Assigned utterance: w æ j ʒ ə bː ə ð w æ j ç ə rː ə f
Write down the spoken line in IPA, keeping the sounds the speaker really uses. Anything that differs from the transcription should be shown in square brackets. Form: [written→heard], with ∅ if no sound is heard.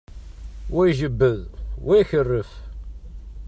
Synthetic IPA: w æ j ʒ ə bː ə ð w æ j ç ə rː ə f